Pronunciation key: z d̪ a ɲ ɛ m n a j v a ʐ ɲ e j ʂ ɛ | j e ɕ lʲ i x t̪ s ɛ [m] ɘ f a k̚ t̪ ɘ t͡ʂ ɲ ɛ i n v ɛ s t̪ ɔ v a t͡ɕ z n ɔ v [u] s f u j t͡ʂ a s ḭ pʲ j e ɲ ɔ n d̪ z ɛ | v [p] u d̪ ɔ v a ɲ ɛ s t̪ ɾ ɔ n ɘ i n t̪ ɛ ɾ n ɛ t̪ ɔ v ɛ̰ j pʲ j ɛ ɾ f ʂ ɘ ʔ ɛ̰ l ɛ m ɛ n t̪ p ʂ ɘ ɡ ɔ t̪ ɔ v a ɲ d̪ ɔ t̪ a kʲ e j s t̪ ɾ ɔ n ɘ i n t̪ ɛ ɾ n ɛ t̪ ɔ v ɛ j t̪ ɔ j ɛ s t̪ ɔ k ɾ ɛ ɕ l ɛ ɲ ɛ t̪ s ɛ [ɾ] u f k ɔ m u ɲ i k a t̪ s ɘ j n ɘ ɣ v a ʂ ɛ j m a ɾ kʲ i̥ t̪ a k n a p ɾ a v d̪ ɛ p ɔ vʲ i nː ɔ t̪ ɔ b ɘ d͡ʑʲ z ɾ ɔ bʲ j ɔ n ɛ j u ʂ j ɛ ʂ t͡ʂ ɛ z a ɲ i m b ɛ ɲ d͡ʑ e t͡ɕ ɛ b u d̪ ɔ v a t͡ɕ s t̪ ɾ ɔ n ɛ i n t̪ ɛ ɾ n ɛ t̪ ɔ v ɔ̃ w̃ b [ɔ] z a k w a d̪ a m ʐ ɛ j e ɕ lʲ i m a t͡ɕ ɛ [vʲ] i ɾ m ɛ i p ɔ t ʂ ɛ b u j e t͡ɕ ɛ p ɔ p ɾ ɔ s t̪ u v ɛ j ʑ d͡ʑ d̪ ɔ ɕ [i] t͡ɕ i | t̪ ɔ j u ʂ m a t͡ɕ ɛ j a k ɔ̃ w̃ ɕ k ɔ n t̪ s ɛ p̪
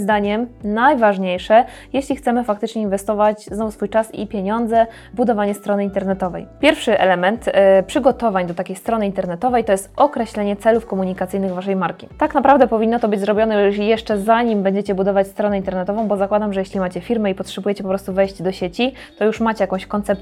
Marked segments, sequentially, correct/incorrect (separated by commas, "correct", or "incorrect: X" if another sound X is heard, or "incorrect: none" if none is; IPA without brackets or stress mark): correct, correct, incorrect: b, incorrect: l, correct, incorrect: fʲ, incorrect: e